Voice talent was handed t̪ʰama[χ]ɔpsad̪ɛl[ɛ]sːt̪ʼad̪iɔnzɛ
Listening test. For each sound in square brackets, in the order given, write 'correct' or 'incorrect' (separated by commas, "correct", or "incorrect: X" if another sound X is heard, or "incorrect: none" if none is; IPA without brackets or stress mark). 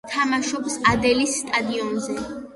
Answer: incorrect: ʃ, incorrect: i